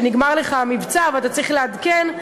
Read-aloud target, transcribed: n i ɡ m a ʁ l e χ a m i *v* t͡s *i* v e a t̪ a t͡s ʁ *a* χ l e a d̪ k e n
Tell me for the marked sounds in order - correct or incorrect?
correct, incorrect: a, incorrect: i

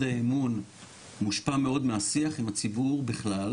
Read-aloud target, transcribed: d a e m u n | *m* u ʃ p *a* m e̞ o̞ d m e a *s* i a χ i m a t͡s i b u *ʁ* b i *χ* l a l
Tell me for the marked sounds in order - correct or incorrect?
correct, correct, correct, correct, correct

